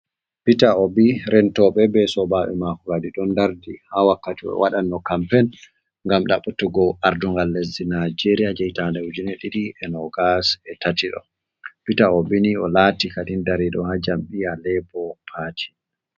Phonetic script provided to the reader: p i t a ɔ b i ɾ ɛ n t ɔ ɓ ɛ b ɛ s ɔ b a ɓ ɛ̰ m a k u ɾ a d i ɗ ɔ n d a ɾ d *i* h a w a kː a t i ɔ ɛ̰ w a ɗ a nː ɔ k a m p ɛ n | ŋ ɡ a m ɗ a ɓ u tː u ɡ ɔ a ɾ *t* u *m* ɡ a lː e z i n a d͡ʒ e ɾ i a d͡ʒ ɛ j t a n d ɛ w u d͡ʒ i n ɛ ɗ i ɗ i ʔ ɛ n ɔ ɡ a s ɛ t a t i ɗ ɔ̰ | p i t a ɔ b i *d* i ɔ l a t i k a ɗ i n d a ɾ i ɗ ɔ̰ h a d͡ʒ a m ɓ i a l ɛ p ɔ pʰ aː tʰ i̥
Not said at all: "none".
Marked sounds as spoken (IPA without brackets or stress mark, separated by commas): i, d, ŋ, n